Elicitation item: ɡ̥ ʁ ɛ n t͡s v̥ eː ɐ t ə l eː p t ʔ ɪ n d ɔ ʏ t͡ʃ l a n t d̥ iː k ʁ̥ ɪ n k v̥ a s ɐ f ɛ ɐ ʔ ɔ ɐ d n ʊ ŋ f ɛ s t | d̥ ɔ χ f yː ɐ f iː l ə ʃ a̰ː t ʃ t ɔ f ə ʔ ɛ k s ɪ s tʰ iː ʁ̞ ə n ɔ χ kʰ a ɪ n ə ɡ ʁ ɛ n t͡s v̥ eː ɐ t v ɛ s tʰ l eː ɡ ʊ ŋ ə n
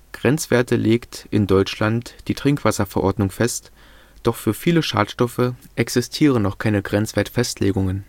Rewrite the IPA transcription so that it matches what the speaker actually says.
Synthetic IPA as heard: ɡ̥ ʁ ɛ n t͡s v̥ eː ɐ t ə l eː k t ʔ ɪ n d ɔ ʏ t͡ʃ l a n t d̥ iː t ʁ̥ ɪ ŋ k v̥ a s ɐ f ɛ ɐ ʔ ɔ ɐ d n ʊ ŋ f ɛ s t | d̥ ɔ χ f yː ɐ f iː l ə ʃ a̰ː t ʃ t ɔ f ə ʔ ɛ k s ɪ s tʰ iː ʁ̞ ə n ɔ χ kʰ a ɪ n ə ɡ ʁ ɛ n t͡s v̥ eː ɐ t f ɛ s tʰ l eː ɡ ʊ ŋ ə n